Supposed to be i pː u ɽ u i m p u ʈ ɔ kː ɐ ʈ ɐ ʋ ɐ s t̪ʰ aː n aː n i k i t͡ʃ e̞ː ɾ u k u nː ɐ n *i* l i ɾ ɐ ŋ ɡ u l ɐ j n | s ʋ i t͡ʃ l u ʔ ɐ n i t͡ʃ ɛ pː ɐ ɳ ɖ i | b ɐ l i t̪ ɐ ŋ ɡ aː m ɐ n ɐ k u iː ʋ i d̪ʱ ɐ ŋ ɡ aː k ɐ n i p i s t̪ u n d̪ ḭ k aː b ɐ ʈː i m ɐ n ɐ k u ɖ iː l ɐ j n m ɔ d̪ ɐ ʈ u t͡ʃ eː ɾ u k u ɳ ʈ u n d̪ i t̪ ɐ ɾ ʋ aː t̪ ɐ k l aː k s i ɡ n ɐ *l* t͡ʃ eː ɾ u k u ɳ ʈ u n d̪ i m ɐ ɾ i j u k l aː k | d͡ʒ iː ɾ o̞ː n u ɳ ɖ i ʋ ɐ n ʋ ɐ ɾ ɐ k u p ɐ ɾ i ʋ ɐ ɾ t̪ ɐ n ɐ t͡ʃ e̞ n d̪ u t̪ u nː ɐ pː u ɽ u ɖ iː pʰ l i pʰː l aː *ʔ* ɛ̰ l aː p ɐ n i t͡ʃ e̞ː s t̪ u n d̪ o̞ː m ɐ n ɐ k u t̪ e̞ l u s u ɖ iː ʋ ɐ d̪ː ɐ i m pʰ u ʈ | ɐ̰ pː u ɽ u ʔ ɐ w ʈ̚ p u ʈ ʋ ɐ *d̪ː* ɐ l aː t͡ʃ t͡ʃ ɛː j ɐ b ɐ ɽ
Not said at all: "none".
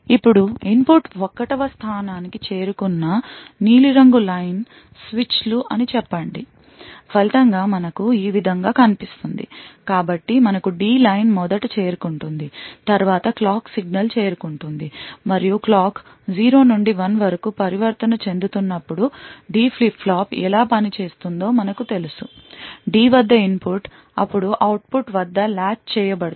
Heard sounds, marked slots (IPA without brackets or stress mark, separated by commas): iː, l, p, d̪ː